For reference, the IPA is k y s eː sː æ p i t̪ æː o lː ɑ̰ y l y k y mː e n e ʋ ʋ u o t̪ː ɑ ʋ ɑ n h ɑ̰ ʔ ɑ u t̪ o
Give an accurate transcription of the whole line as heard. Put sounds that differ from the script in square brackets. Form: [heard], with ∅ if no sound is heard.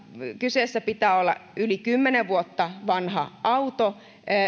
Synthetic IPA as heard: k y s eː sː æ p i t̪ æː o lː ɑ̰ y l [i] k y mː e n e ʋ ʋ u o t̪ː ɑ ʋ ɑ n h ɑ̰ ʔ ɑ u t̪ o